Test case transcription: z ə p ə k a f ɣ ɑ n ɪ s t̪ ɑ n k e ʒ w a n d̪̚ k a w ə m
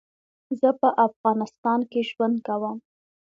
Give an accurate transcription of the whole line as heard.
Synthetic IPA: z ə p ə ʔ a f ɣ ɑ n ɪ s t̪ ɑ n k e ʒ w a n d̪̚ k a w ə m